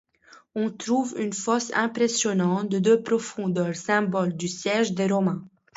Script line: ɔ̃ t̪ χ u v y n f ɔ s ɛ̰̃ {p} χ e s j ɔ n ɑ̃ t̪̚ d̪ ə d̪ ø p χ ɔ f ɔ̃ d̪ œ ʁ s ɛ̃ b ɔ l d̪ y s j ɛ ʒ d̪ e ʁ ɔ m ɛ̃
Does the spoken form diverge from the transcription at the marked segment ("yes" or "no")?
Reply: no